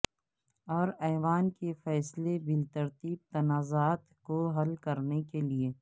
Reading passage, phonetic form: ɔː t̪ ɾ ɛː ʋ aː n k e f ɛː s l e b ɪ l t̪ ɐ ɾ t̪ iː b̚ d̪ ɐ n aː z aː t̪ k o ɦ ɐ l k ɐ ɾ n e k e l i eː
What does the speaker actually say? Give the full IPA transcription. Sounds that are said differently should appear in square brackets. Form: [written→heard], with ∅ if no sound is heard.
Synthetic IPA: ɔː [t̪→∅] ɾ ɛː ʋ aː n k e f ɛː s l e b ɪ l t̪ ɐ ɾ t̪ iː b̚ [d̪→t̪] ɐ n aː z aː t̪ k o ɦ ɐ l k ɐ ɾ n e k e l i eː